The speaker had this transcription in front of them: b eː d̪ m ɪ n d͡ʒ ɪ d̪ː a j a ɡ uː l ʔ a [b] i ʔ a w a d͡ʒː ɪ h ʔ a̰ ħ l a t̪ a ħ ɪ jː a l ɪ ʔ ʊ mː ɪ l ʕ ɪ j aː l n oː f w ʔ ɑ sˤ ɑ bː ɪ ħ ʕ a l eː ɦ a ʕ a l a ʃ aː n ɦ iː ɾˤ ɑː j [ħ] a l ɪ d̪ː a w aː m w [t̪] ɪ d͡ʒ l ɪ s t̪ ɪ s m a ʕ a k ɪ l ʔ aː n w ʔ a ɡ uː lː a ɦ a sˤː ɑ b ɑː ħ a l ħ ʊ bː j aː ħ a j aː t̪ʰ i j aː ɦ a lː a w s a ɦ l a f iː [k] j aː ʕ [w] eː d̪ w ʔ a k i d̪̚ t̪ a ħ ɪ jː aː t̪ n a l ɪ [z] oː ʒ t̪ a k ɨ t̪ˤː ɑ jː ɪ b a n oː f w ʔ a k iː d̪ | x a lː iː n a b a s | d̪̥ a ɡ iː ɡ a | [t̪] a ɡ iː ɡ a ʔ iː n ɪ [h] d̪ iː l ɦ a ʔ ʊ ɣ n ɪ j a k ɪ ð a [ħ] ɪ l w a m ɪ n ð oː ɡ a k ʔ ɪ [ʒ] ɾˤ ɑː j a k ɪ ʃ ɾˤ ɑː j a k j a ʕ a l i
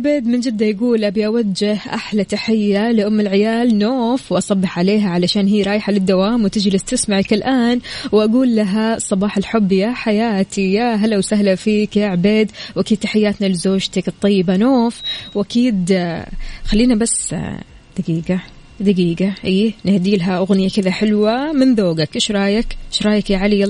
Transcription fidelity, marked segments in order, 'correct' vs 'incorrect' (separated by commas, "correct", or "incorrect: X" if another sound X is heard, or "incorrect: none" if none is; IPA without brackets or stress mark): correct, correct, correct, correct, incorrect: b, correct, incorrect: d̪, correct, correct, incorrect: ʃ